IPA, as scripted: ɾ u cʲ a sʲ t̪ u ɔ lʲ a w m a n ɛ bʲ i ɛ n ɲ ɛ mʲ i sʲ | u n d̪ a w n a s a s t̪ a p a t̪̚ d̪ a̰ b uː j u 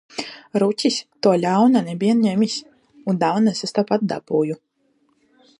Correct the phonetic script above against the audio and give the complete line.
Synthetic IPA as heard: ɾ u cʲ i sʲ t̪ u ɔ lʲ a w n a n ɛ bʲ i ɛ n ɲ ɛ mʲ i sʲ | u n d̪ a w n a s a s t̪ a p a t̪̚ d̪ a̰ b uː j u